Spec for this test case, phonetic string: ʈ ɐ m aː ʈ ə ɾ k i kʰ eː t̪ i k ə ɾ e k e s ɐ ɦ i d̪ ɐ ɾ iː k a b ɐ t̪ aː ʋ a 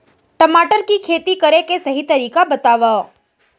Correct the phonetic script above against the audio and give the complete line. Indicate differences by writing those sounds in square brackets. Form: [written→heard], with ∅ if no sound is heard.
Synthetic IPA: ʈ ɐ m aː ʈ ə ɾ k i kʰ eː t̪ i k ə ɾ e k e s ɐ ɦ i [d̪→t̪] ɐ ɾ iː k a b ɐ t̪ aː ʋ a